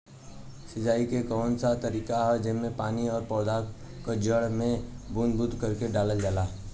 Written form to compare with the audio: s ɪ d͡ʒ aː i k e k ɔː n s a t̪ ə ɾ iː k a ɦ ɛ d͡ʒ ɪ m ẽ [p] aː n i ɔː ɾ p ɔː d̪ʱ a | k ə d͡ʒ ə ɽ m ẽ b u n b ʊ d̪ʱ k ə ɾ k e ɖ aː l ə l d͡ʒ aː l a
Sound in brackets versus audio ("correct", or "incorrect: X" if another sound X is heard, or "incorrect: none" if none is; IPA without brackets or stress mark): correct